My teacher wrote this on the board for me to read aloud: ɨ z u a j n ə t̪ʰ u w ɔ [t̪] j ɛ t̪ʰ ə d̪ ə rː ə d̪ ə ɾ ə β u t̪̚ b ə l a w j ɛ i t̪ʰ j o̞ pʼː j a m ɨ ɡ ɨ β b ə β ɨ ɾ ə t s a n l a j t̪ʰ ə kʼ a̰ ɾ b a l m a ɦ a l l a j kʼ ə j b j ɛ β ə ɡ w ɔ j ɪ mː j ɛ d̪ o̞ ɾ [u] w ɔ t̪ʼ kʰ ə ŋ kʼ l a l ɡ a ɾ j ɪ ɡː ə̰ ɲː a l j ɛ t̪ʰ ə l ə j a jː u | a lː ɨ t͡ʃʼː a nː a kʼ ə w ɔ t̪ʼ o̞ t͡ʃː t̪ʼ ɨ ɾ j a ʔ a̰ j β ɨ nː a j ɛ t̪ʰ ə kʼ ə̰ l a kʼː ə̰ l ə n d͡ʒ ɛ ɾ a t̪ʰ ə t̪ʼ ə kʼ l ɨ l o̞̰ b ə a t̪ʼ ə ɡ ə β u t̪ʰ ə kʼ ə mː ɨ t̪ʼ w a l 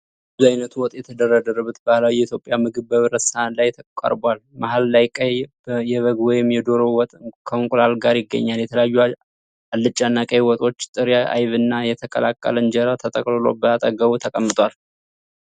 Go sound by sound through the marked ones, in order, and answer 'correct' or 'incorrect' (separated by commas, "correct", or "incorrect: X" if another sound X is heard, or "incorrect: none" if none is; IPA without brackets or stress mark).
incorrect: t̪ʼ, incorrect: o